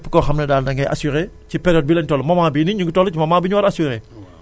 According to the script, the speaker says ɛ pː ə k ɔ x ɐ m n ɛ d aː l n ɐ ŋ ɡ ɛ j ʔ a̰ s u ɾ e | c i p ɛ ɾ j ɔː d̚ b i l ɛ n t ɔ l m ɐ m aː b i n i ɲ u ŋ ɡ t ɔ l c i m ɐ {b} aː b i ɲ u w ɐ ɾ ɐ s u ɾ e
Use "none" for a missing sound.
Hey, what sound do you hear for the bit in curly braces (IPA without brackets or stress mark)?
m